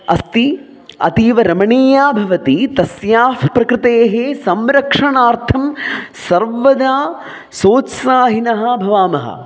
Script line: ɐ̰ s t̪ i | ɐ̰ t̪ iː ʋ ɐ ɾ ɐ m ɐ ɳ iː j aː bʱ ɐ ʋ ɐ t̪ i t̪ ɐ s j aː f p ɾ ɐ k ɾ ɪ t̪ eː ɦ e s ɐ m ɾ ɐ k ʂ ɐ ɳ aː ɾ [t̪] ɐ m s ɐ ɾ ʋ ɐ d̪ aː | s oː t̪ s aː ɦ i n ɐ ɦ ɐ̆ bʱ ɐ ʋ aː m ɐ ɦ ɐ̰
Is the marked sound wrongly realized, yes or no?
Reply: yes